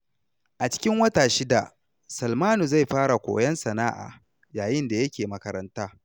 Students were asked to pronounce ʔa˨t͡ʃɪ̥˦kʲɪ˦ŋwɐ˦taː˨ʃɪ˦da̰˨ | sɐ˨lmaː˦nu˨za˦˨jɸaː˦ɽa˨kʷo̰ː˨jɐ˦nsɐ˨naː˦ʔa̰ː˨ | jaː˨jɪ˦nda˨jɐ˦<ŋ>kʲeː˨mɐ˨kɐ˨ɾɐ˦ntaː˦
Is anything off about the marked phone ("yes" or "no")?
yes